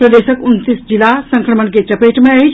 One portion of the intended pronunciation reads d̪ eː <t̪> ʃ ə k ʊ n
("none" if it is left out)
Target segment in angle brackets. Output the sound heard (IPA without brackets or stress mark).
none